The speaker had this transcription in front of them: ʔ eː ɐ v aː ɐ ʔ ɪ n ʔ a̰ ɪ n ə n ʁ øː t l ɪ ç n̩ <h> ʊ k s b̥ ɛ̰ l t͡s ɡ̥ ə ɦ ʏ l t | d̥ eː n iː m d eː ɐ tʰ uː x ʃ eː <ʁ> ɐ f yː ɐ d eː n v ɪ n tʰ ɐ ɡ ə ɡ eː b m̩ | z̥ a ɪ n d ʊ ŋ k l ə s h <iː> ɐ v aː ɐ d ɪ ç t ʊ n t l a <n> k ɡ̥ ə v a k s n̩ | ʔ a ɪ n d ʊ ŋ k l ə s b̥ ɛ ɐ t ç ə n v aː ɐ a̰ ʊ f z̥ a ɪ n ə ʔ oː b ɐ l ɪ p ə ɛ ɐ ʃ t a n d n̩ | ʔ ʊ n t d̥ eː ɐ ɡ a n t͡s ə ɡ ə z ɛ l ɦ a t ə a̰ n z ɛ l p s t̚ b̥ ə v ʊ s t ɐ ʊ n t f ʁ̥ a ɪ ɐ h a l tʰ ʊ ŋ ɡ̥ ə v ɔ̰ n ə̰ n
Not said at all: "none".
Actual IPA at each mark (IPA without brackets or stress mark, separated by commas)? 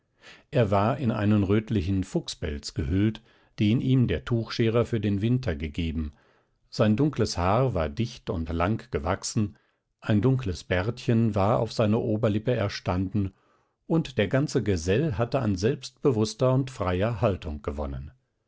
f, ʁ, aː, ŋ